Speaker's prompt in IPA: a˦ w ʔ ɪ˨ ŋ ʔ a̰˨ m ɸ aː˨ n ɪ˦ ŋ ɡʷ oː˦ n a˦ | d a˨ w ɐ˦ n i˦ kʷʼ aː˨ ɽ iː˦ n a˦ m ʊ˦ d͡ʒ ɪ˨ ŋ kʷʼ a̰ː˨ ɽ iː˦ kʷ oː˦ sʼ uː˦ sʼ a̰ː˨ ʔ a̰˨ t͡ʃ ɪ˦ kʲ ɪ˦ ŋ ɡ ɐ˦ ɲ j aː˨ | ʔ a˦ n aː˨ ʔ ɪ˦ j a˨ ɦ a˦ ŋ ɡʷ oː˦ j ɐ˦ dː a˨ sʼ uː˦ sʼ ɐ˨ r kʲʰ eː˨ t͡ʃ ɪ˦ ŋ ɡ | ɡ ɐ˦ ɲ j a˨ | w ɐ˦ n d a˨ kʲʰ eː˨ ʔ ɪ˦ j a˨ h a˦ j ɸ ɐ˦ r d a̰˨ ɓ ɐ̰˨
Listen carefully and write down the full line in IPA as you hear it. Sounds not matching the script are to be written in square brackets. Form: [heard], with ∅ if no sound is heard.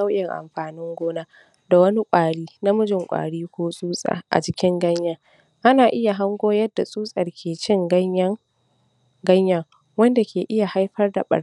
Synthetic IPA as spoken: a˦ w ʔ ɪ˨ ŋ ʔ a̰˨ m ɸ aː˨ n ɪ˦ ŋ ɡʷ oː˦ n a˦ | d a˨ w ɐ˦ n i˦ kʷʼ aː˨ ɽ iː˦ n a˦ m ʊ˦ d͡ʒ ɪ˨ ŋ kʷʼ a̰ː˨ ɽ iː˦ kʷ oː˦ sʼ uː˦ sʼ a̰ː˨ ʔ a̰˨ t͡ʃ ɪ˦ kʲ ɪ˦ ŋ ɡ ɐ˦ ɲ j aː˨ | ʔ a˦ n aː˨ ʔ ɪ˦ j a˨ ɦ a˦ ŋ ɡʷ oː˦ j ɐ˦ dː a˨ sʼ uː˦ sʼ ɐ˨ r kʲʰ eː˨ t͡ʃ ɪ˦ ŋ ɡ | ɡ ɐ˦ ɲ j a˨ | w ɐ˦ n d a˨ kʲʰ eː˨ ʔ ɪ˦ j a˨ h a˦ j ɸ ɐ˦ r d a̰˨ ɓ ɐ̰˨

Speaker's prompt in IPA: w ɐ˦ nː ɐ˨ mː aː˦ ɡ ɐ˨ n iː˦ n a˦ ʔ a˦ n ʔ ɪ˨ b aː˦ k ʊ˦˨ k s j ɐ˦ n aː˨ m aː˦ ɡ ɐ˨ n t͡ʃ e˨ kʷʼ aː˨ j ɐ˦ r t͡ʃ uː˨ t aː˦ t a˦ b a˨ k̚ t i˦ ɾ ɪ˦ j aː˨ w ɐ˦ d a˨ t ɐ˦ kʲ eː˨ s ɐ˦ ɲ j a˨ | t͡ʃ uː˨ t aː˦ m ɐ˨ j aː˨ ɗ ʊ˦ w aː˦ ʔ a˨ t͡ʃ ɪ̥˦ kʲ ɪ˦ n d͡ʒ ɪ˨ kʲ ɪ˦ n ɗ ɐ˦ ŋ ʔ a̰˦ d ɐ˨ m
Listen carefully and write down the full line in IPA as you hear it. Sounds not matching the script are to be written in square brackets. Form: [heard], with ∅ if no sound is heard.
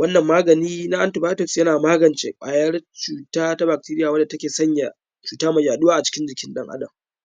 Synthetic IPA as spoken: w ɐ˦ nː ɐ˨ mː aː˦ ɡ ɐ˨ n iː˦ n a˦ ʔ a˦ n [t] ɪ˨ b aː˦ [t] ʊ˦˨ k s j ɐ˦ n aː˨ m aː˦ ɡ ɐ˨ n t͡ʃ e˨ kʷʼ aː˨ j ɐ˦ r t͡ʃ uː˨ t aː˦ t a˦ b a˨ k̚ t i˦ ɾ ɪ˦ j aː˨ w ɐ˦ d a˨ t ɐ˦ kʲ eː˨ s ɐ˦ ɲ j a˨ | t͡ʃ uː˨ t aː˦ m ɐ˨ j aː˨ ɗ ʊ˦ w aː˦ ʔ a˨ t͡ʃ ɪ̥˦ kʲ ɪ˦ n d͡ʒ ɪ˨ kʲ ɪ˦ n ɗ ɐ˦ ŋ ʔ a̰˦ d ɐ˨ m

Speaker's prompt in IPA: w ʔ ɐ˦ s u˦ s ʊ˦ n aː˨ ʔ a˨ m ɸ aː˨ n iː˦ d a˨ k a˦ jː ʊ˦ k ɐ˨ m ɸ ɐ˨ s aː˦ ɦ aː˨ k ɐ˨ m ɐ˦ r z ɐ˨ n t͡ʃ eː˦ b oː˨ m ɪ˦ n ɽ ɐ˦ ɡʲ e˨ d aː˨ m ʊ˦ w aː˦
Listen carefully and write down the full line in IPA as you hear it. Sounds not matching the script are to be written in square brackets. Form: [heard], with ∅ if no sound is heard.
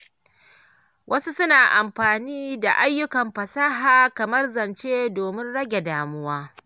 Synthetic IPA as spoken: w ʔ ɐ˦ s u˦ s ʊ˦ n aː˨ ʔ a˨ m ɸ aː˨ n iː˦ d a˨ [ʔ] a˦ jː ʊ˦ k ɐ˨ m ɸ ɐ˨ s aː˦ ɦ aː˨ k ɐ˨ m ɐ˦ r z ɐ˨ n t͡ʃ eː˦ [d] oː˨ m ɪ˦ n ɽ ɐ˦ ɡʲ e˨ d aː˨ m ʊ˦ w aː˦

